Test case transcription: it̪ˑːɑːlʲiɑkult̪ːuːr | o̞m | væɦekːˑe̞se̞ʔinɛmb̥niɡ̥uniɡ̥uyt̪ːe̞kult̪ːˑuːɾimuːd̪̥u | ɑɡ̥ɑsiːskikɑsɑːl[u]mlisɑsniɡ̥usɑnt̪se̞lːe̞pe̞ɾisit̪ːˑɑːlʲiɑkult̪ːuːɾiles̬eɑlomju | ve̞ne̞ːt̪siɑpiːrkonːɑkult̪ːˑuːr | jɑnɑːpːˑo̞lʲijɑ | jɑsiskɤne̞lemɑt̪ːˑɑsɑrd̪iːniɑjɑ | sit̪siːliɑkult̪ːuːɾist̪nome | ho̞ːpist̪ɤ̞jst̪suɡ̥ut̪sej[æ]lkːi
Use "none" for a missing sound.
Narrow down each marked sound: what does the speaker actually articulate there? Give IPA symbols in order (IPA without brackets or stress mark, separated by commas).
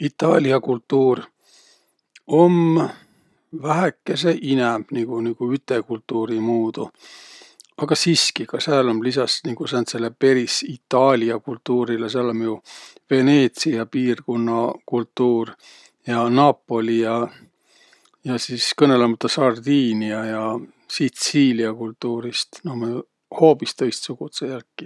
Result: o, æ